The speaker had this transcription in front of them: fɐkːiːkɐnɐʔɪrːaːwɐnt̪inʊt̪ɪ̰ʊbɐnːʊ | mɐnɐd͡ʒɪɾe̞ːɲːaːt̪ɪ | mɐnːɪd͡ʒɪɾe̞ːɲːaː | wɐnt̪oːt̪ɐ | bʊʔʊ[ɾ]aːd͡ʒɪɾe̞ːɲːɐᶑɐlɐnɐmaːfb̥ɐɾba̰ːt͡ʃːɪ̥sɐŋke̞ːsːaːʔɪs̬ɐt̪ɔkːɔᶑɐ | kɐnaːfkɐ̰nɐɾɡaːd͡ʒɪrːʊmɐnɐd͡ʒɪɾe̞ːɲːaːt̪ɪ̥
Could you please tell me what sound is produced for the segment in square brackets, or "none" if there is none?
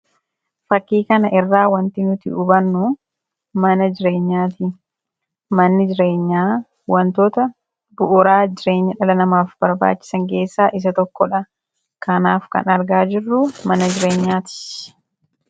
ɾ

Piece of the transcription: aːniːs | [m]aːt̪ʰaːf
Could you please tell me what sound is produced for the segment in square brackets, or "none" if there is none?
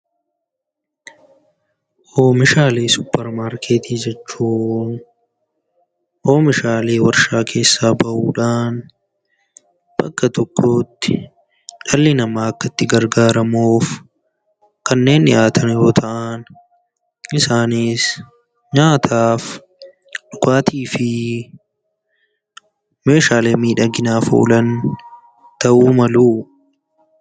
ɲ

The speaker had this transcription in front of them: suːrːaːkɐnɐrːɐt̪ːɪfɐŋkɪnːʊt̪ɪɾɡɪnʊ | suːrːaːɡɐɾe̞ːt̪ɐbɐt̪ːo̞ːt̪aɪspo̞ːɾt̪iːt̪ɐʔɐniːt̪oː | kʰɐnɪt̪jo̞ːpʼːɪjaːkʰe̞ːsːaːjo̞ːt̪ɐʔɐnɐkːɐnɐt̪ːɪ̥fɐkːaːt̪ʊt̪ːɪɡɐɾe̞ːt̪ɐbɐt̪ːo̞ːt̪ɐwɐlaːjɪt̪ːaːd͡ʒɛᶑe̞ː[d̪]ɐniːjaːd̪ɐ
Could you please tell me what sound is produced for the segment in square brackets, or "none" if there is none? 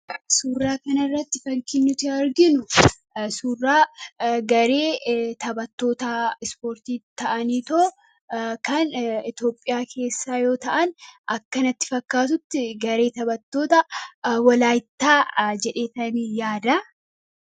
t̪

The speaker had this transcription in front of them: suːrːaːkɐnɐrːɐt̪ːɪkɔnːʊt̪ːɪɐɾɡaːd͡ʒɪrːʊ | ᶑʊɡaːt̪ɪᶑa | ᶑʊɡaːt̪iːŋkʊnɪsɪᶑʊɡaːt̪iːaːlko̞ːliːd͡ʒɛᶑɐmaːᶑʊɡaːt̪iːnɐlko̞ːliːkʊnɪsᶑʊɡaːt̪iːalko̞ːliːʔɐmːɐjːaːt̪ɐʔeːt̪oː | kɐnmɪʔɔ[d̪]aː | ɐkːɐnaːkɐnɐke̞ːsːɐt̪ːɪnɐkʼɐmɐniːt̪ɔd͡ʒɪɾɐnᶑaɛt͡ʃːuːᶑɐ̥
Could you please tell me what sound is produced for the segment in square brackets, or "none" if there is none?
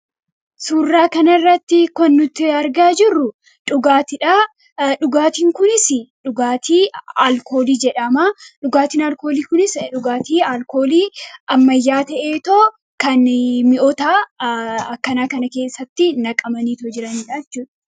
t̪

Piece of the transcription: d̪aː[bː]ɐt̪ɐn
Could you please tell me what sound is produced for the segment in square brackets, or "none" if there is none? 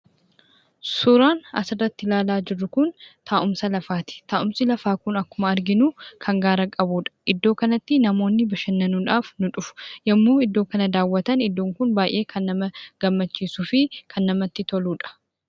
wː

